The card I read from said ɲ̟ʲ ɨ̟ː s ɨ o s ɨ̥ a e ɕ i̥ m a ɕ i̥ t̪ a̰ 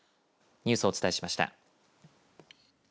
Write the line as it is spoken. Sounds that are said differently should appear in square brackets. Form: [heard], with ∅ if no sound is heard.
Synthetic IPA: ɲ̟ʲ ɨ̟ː s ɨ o [t͡s] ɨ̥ a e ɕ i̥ m a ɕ i̥ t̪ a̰